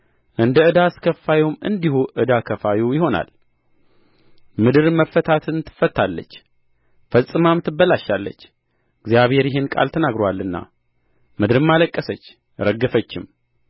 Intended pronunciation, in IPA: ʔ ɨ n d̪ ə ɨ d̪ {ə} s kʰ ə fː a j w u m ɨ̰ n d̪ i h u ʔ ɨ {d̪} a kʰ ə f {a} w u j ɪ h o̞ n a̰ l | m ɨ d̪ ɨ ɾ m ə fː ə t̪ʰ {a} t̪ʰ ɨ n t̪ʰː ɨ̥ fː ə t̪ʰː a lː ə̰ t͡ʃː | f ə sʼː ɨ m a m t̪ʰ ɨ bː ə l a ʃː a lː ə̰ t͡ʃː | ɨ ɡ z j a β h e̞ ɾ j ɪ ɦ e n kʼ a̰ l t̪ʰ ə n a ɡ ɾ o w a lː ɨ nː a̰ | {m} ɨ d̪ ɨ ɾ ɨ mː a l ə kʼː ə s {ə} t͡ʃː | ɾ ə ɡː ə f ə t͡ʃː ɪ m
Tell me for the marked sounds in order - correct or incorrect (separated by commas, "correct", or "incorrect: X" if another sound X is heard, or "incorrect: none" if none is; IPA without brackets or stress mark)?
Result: incorrect: a, correct, correct, correct, correct, correct